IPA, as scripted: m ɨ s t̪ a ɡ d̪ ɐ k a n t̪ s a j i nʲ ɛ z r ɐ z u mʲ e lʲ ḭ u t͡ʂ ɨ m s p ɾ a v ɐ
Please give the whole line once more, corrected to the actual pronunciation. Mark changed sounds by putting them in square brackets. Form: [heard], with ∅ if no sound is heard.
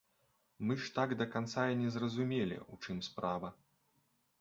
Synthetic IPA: m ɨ [ʂ] t̪ a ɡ d̪ ɐ k a n t̪ s a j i nʲ ɛ z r ɐ z u mʲ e lʲ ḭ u t͡ʂ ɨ m s p ɾ a v ɐ